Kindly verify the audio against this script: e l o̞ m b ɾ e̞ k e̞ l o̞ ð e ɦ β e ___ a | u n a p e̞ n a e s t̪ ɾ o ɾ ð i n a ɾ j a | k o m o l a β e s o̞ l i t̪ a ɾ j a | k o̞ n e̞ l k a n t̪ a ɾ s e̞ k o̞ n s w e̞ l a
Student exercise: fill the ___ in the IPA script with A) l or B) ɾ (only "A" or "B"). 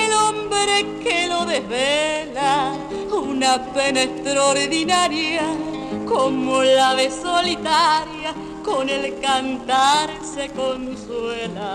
A